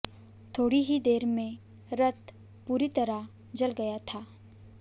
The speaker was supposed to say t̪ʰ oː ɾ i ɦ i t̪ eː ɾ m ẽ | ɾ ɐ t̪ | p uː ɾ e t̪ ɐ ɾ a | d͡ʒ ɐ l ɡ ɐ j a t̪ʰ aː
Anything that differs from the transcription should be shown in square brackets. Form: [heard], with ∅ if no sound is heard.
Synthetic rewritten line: t̪ʰ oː [ɽ] i ɦ i [d̪] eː ɾ m ẽ | ɾ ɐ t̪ | p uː ɾ [i] t̪ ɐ ɾ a | d͡ʒ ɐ l ɡ ɐ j a t̪ʰ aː